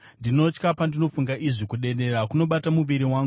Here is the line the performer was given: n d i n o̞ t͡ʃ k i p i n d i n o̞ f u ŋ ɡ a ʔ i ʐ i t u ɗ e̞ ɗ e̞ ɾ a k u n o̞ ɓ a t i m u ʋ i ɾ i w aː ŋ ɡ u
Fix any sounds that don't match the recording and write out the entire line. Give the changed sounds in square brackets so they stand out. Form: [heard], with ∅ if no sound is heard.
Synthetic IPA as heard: n d i n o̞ t͡ʃ k [a] p [a] n d i n o̞ f u ŋ ɡ a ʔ i ʐ i [k] u ɗ e̞ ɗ e̞ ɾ a k u n o̞ ɓ a t [a] m u ʋ i ɾ i w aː ŋ ɡ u